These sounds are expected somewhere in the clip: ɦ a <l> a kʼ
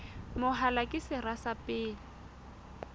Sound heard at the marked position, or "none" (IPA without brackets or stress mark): l